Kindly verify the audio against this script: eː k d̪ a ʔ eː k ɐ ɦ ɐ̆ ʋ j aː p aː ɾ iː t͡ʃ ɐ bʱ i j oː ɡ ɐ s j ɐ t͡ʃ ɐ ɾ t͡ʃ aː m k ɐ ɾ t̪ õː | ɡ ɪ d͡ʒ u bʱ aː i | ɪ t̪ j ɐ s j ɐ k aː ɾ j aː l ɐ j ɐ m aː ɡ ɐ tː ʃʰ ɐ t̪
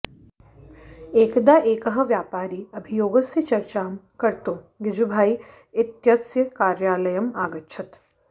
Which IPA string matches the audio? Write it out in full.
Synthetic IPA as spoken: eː k d̪ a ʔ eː k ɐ ɦ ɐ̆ ʋ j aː p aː ɾ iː ɐ bʱ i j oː ɡ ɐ s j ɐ t͡ʃ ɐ ɾ t͡ʃ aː m k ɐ ɾ t̪ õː | ɡ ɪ d͡ʒ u bʱ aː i | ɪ t̪ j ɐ s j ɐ k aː ɾ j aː l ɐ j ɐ m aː ɡ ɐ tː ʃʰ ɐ t̪